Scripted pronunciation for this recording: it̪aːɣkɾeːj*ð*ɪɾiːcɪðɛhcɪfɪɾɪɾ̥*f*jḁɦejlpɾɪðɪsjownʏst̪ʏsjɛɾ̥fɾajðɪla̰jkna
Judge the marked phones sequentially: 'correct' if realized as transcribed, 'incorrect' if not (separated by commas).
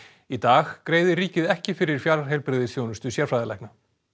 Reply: correct, correct